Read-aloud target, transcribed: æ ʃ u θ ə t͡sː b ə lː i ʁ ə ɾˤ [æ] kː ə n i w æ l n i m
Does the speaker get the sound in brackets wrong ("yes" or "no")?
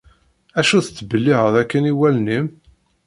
no